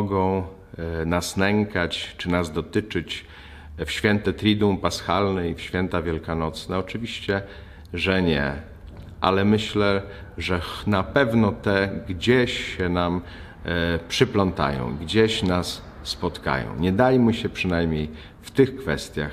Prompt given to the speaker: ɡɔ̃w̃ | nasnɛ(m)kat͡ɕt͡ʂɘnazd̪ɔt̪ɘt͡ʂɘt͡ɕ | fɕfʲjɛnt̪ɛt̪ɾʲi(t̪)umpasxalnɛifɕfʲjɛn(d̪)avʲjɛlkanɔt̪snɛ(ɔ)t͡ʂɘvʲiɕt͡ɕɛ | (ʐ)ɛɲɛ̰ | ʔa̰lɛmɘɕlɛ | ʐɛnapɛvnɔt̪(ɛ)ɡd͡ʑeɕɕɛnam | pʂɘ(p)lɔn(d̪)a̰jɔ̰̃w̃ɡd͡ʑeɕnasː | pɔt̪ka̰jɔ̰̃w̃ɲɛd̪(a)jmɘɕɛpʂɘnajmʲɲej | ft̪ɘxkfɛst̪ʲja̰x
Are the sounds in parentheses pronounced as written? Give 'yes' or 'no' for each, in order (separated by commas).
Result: no, no, no, yes, yes, yes, yes, no, yes